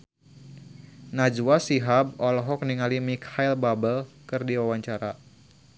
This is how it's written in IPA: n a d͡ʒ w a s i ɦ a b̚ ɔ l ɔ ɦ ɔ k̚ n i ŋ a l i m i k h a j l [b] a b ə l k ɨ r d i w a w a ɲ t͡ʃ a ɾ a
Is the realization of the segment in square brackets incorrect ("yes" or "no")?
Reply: no